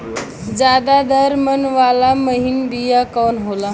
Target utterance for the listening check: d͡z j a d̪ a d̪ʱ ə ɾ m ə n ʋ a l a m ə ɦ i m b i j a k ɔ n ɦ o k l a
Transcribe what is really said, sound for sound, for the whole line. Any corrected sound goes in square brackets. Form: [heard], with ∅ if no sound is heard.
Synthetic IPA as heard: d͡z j a d̪ a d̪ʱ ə ɾ m ə n ʋ a l a m ə ɦ i [n] b i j a k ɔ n ɦ o [∅] l a